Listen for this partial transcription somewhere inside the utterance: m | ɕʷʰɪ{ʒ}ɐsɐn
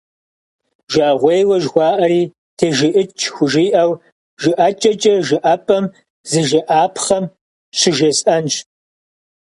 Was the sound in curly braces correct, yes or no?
yes